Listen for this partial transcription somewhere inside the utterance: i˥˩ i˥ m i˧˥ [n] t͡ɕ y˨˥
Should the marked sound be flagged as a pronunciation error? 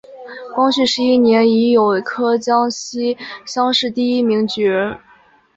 yes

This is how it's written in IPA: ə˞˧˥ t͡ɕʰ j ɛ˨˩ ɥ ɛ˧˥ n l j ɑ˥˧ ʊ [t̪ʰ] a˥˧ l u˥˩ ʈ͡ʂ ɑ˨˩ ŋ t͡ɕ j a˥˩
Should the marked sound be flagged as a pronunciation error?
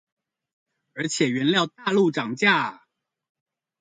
yes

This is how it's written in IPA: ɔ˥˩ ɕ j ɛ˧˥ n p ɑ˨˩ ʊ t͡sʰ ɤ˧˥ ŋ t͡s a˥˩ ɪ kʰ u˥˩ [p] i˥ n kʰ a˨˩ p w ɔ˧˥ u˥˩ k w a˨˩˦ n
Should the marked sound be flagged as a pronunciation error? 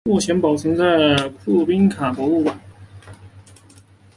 no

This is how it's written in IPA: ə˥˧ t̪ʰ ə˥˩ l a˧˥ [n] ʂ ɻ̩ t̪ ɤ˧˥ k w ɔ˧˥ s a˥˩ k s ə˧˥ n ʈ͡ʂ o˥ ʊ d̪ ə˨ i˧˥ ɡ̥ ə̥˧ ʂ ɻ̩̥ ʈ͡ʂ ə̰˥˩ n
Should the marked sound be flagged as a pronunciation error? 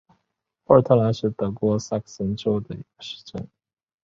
no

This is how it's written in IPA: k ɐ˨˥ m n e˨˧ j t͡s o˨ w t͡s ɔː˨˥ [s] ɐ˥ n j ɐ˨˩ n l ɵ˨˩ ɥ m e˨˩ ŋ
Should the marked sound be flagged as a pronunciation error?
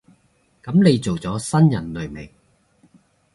no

